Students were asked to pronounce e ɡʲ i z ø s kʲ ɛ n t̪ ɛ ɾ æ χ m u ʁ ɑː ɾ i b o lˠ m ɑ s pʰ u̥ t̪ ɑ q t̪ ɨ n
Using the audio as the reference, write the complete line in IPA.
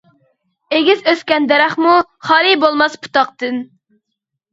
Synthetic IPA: e ɡʲ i z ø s kʲ ɛ n d̪ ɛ ɾ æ χ m u χ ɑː ɾ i b o lˠ m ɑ s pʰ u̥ t̪ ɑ q t̪ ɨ n

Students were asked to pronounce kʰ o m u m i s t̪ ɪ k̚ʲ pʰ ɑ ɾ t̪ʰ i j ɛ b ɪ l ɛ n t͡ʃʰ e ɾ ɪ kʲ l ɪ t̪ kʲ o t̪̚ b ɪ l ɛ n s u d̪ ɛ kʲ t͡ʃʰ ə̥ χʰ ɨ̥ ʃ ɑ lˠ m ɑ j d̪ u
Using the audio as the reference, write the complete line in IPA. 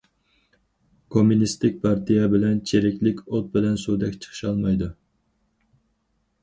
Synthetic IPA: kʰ o m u n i s t̪ ɪ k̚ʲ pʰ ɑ ɾ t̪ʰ i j ɛ b ɪ l ɛ n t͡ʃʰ e ɾ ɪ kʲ l ɪ kʲ o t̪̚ b ɪ l ɛ n s u d̪ ɛ kʲ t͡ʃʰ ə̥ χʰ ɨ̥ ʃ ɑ lˠ m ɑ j d̪ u

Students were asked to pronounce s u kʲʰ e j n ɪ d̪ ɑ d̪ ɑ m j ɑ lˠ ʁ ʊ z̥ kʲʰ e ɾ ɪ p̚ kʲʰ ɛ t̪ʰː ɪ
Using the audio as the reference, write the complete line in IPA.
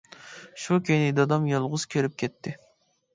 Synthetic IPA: ʃ u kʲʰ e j n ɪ d̪ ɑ d̪ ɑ m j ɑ lˠ ʁ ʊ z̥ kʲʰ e ɾ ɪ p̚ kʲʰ ɛ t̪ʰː ɪ

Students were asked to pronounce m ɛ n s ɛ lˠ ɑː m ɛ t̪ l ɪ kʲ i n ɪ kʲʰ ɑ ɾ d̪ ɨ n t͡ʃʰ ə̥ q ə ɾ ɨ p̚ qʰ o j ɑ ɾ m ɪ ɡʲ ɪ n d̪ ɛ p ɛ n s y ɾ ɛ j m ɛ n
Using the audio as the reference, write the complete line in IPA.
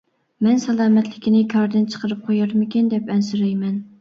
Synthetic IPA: m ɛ n s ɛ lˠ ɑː m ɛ t̪ l ɪ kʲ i n ɪ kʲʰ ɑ ɾ d̪ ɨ n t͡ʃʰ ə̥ q ə ɾ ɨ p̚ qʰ o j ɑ ɾ m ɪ kʲ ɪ n d̪ ɛ p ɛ n s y ɾ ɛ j m ɛ n

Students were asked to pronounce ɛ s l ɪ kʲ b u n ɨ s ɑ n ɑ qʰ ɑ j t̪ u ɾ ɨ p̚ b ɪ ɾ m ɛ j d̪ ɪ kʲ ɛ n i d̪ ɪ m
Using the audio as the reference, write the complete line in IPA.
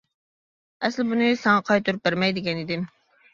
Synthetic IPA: ɛ s l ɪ b u n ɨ s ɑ ŋ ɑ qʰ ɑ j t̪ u ɾ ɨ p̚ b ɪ ɾ m ɛ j d̪ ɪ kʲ ɛ n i d̪ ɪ m

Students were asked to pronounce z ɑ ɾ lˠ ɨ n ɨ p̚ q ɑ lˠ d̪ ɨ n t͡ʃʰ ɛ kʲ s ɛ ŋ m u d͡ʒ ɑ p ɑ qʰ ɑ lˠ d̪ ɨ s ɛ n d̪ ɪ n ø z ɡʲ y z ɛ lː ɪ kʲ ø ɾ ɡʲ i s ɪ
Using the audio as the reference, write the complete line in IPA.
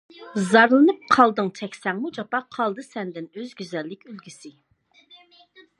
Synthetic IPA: z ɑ ɾ lˠ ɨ n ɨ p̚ qʰ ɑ lˠ d̪ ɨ ŋ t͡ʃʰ ɛ kʲ s ɛ ŋ m u d͡ʒ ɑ p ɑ qʰ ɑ lˠ d̪ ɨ s ɛ n d̪ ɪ n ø z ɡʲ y z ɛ lː ɪ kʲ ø l ɡʲ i s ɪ

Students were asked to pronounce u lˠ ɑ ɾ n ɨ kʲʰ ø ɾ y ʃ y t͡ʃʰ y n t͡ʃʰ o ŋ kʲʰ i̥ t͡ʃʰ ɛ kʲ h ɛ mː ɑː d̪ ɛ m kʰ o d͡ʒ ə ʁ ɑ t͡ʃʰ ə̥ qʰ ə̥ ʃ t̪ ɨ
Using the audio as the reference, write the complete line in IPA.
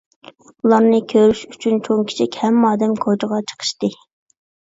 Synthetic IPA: u lˠ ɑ ɾ n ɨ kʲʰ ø ɾ y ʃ y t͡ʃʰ y n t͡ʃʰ o ŋ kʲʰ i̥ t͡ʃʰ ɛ kʲ h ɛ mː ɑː d̪ ɛ m kʰ o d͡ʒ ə ʁ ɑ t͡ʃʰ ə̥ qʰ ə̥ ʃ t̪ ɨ

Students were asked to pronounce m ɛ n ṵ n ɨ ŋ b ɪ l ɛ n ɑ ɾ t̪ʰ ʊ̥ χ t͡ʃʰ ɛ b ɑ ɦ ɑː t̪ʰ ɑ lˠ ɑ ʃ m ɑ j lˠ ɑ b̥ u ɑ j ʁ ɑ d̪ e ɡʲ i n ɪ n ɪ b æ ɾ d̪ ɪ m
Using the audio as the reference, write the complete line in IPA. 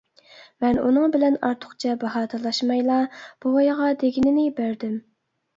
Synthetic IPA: m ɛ n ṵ n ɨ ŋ b ɪ l ɛ n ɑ ɾ t̪ʰ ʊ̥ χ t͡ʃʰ ɛ b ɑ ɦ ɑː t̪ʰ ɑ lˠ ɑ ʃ m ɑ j lˠ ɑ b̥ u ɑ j ʁ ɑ d̪ e ɡʲ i n ɪ n ɪ b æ ɾ d̪ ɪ m

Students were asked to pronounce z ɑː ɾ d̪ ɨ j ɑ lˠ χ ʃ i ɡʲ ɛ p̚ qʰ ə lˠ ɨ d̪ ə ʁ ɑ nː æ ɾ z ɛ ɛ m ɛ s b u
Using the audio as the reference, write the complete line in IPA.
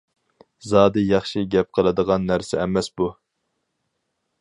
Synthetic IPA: z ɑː d̪ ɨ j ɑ χ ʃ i ɡʲ ɛ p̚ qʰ ə lˠ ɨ d̪ ə ʁ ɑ nː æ ɾ s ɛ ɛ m ɛ s b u

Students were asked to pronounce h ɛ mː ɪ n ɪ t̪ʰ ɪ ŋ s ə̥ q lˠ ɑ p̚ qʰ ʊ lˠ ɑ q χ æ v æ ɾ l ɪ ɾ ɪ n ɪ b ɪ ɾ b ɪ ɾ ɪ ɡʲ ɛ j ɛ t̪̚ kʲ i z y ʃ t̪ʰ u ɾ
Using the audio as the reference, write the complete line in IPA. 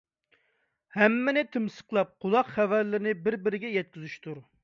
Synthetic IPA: h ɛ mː ɪ n ɪ t̪ʰ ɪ m s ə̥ q lˠ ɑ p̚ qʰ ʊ lˠ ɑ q χ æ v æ ɾ l ɪ ɾ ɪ n ɪ b ɪ ɾ b ɪ ɾ ɪ ɡʲ ɛ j ɛ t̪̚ kʲ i z y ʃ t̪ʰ u ɾ

